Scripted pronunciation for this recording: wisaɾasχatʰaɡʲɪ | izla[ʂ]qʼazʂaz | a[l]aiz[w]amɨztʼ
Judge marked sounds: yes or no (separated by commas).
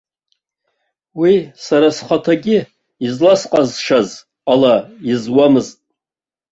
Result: no, yes, yes